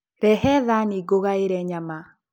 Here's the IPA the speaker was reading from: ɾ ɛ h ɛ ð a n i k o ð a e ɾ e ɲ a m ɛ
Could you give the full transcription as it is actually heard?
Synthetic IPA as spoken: ɾ ɛ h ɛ ð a n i ɡ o ɣ a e ɾ ɛ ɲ a m a